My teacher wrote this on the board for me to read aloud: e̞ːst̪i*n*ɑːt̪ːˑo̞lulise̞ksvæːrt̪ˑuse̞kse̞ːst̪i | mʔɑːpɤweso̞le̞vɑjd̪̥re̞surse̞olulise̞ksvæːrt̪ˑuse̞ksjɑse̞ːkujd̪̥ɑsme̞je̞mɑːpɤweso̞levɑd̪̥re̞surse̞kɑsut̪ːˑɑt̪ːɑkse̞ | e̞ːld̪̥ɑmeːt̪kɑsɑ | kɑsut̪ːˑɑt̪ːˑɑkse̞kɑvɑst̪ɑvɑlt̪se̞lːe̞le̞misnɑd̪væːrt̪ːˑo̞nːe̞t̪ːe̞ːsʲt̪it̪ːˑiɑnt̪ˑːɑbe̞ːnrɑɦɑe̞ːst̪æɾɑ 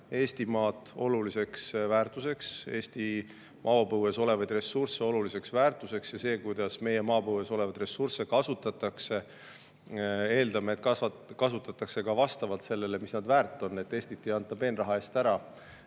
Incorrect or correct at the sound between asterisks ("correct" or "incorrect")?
incorrect